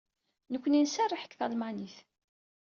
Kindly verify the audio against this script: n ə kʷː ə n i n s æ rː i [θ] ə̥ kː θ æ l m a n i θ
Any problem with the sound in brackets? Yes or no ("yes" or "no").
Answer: yes